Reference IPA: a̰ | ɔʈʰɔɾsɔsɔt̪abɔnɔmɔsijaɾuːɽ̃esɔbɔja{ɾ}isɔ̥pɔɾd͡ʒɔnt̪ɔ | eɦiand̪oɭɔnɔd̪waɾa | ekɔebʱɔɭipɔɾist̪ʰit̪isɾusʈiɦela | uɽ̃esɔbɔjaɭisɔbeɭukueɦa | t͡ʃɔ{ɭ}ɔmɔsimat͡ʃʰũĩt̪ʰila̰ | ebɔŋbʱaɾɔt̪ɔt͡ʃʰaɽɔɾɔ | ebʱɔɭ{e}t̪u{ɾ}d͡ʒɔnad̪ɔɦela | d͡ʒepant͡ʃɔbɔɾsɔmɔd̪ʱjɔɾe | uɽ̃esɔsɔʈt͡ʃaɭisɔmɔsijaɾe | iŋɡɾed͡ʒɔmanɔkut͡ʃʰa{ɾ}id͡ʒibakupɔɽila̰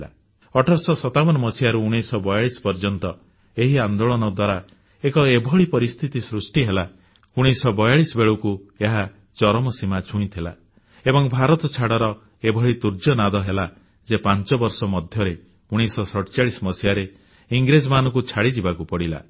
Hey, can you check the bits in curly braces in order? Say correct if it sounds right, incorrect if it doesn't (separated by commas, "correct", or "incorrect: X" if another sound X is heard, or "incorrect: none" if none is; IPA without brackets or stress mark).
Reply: incorrect: ɭ, incorrect: ɾ, incorrect: i, correct, incorrect: ɽ